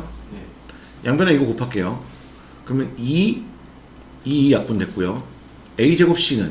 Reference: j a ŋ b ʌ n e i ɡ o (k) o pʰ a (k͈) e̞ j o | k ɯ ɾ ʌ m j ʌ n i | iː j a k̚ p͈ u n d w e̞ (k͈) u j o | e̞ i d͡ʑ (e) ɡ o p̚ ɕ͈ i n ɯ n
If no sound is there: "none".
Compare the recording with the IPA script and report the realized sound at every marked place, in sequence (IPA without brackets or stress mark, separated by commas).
k, k͈, k͈, e